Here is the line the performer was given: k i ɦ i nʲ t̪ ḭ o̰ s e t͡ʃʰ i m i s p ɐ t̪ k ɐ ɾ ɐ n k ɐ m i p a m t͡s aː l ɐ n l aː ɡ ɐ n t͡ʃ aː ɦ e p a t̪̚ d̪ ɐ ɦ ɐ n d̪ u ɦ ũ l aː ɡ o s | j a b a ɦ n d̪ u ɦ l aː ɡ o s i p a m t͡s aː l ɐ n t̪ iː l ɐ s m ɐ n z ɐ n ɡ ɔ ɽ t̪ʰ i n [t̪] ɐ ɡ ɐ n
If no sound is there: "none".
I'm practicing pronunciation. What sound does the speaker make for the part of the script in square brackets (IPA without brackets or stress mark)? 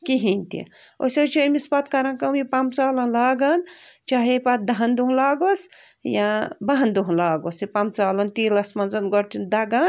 d̪